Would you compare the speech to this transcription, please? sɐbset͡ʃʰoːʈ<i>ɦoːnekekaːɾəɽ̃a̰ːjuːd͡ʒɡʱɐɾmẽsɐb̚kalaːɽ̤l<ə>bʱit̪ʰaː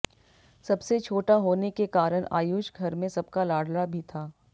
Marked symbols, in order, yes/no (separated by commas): no, no